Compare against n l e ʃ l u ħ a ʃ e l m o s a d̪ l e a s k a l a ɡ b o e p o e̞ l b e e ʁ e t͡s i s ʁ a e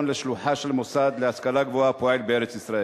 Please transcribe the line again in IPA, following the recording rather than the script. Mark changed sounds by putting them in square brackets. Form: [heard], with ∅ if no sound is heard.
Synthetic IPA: n l e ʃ l u ħ a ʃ e l m o s a d̪ l e a s k a l a ɡ [v] o [a] p o e̞ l b e e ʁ e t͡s i s ʁ a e